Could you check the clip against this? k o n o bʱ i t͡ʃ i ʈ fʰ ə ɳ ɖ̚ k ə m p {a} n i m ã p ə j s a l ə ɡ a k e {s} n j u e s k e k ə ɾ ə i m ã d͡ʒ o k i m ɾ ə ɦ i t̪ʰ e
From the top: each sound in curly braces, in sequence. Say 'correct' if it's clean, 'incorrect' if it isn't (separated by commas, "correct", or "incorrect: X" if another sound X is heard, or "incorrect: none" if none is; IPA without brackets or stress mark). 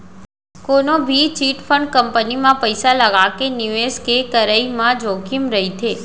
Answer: incorrect: ə, incorrect: none